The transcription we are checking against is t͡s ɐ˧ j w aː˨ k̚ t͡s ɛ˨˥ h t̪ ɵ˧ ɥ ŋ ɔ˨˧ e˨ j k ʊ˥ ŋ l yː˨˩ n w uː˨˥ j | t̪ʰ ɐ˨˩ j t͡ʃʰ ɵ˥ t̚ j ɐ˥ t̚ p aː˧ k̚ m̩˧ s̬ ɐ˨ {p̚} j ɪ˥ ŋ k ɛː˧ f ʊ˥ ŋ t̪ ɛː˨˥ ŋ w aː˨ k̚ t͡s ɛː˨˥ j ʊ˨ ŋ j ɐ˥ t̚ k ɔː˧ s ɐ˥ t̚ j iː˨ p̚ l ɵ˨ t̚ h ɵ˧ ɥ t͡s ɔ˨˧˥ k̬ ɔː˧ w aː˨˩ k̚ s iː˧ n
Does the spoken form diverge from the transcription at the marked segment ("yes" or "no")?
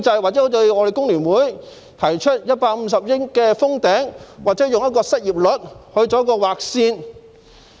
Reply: no